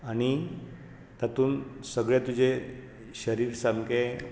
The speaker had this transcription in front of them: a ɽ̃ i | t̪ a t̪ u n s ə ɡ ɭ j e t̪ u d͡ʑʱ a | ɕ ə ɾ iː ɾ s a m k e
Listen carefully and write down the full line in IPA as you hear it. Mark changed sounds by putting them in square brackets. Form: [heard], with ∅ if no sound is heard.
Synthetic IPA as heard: a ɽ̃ i | t̪ a t̪ [uː] n s ə ɡ ɭ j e t̪ u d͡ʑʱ [e] | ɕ ə ɾ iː ɾ s a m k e